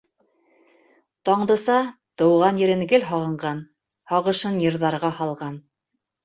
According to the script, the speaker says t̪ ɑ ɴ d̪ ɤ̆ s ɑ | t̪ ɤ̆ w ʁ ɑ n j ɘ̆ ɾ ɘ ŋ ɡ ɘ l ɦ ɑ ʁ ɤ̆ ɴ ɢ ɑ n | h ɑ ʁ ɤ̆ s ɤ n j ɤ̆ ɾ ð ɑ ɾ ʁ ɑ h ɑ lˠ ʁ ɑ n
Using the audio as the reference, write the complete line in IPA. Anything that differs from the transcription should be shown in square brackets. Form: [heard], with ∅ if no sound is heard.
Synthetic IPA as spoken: t̪ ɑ ɴ d̪ ɤ̆ s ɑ | t̪ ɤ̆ w ʁ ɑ n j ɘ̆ ɾ ɘ ŋ ɡ ɘ l ɦ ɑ ʁ ɤ̆ ɴ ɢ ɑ n | h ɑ ʁ ɤ̆ [ʃ] ɤ n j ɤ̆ ɾ ð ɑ ɾ ʁ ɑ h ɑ lˠ ʁ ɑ n